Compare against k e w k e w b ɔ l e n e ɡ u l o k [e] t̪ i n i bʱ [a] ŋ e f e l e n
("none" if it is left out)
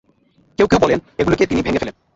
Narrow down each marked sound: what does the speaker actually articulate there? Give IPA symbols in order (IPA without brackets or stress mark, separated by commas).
e, e